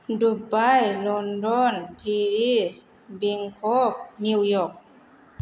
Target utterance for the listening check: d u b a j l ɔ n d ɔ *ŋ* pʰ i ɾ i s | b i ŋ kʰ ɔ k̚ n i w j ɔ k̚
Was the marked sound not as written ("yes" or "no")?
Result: yes